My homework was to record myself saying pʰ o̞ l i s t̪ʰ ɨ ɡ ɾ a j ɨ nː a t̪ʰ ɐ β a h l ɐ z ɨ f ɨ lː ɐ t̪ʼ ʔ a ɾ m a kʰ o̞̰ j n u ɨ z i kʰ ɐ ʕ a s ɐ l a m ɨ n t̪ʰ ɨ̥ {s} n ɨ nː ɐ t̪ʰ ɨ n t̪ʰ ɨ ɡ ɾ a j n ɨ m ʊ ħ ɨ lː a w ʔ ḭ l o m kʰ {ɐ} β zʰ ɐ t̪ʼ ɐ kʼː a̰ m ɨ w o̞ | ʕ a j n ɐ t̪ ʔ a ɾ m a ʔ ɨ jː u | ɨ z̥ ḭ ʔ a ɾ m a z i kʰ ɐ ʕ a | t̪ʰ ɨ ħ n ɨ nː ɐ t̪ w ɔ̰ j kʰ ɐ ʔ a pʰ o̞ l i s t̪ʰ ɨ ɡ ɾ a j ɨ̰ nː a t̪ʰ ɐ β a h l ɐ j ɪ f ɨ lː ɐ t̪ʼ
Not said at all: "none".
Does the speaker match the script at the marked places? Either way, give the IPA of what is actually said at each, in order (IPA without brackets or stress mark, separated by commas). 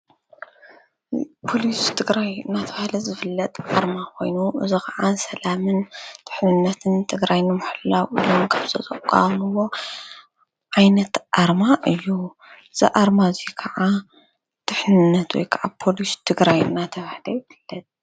ħ, a